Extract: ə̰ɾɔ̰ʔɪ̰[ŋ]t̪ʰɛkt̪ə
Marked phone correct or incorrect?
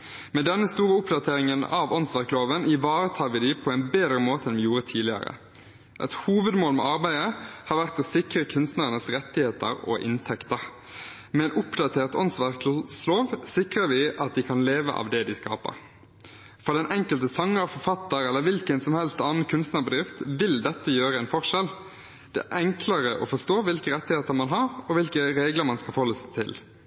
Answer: incorrect